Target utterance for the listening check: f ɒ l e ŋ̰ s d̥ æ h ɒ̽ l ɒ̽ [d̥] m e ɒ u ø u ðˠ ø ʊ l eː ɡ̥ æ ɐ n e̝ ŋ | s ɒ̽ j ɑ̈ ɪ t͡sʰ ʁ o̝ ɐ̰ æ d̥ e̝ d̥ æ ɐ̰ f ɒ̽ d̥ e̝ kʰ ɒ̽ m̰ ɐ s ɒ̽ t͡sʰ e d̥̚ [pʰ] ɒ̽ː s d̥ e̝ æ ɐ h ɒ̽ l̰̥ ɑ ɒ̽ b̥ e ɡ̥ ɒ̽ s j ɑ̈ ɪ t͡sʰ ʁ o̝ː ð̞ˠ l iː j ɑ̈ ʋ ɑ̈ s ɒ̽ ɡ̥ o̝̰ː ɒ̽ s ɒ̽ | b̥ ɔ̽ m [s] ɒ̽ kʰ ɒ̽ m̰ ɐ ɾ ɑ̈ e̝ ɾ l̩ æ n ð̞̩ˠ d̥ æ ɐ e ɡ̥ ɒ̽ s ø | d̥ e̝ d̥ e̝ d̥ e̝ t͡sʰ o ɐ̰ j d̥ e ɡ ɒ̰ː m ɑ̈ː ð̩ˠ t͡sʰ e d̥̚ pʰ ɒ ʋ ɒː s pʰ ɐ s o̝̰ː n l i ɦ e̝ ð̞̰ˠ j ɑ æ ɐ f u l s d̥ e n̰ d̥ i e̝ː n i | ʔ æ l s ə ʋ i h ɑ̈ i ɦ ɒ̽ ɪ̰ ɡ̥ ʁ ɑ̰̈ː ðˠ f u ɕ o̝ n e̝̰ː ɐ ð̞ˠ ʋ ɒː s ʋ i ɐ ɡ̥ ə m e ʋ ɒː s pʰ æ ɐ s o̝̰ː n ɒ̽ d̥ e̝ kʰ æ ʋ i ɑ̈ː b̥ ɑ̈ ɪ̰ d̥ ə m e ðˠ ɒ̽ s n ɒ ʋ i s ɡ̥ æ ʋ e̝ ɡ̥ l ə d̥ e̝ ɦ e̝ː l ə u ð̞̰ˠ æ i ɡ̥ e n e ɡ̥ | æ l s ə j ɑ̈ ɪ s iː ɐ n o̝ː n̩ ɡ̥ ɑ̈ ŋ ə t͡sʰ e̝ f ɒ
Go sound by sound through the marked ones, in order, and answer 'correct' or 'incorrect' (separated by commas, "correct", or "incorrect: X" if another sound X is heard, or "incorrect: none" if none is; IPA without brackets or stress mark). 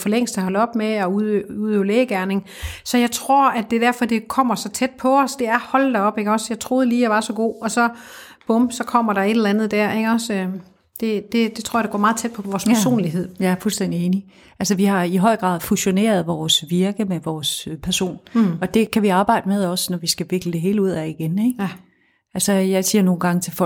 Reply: incorrect: b̥, correct, correct